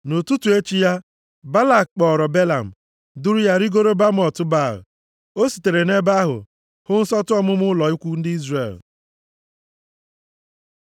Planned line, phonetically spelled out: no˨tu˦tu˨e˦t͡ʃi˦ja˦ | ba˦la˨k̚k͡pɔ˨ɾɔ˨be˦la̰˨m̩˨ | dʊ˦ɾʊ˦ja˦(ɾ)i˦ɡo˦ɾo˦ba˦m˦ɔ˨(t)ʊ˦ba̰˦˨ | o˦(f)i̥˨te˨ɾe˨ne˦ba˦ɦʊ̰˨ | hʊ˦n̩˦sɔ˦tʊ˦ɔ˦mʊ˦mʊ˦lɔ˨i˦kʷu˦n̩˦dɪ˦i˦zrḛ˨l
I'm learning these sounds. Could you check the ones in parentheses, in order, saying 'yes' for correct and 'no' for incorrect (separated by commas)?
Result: yes, yes, no